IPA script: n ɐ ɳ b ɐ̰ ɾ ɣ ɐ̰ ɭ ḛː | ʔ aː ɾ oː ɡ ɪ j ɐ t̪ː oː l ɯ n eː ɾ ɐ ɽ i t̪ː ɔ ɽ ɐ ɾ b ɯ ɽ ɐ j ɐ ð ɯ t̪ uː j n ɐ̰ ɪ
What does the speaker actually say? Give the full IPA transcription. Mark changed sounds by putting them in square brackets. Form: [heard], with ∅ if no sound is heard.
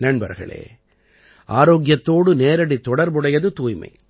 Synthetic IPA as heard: n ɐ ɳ b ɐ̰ ɾ ɣ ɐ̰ ɭ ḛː | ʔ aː ɾ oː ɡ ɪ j ɐ t̪ː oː [ɽ] ɯ n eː ɾ ɐ ɽ i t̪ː ɔ ɽ ɐ ɾ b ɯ ɽ ɐ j ɐ ð ɯ t̪ uː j [m] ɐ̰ ɪ